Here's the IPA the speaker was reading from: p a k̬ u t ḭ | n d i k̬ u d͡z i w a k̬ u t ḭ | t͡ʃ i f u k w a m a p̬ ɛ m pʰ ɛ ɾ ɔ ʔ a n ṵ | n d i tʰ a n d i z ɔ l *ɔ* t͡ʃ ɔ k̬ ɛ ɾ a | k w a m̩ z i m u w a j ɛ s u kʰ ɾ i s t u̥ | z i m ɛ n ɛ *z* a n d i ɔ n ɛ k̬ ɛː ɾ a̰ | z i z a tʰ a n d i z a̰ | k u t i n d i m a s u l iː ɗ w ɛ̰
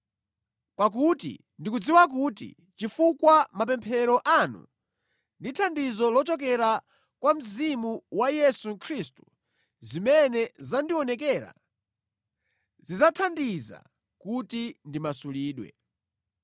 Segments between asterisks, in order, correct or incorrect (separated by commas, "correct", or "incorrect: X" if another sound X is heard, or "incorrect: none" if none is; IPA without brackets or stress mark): correct, correct